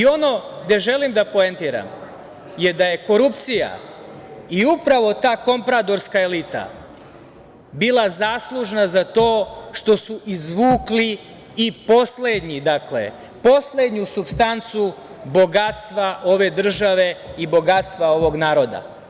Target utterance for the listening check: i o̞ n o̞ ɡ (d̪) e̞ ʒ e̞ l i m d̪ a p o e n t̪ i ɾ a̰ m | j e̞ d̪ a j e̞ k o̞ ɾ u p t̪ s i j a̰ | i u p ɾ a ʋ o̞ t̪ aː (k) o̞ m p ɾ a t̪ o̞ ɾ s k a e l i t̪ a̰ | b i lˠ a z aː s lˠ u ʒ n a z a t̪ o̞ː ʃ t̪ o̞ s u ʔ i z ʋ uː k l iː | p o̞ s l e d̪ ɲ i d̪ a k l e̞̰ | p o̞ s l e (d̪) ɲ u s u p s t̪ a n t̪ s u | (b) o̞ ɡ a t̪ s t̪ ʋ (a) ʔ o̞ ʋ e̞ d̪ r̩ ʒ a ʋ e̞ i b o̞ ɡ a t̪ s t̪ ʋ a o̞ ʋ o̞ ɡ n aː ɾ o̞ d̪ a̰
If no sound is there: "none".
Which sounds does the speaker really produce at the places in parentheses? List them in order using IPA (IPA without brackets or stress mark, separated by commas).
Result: d̪, k, d̪, b, a